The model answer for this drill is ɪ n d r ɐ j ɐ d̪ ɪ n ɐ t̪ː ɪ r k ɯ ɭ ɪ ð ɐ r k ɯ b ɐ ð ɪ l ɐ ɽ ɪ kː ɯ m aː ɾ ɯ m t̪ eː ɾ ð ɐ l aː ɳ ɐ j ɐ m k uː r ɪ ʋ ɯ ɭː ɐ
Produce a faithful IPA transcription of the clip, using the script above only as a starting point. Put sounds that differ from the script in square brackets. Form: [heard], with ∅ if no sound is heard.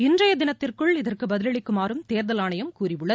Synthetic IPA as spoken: ɪ n d r ɐ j ɐ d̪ ɪ n ɐ t̪ː ɪ r k ɯ ɭ ɪ ð ɐ r k ɯ b ɐ ð ɪ l ɐ [ɭ] ɪ kː ɯ m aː ɾ ɯ m t̪ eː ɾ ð ɐ l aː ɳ ɐ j ɐ m k uː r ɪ ʋ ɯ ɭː ɐ